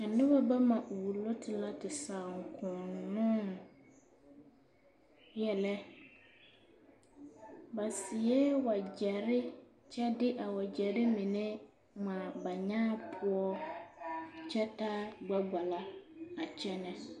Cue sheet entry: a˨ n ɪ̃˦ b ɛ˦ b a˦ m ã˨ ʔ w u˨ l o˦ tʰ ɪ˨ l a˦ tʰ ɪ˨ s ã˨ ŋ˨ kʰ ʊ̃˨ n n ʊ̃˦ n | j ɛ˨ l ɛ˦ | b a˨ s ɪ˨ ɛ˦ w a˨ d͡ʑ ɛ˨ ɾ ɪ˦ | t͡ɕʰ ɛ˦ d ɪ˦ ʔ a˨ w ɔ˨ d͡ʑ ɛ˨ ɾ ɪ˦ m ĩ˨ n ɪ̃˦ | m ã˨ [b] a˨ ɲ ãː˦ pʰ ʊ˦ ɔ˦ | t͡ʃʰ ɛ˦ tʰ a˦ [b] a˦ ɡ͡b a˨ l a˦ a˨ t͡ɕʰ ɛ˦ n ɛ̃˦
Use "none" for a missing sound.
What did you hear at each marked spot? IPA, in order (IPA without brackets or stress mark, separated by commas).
b, ɡ͡b